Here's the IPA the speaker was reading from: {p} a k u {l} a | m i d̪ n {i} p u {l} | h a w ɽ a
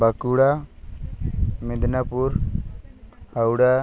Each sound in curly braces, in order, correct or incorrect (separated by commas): incorrect, incorrect, incorrect, incorrect